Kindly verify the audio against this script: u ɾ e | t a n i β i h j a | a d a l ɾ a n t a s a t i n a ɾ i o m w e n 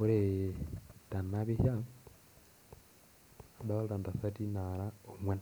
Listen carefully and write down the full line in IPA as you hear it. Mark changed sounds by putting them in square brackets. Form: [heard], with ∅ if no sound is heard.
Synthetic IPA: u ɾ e | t a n [a] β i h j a | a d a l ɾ a n [d] a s a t i n a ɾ [a] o m w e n